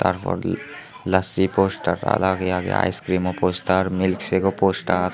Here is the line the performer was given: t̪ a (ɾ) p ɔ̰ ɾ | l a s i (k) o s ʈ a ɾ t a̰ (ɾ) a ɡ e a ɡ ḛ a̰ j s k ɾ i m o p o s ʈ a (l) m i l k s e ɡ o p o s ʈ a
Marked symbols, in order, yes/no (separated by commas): yes, no, no, no